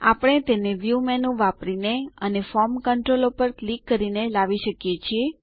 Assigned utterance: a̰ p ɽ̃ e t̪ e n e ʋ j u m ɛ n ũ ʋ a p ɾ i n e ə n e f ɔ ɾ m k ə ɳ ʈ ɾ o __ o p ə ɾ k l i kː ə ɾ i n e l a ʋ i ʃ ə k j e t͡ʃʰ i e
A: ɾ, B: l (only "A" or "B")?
B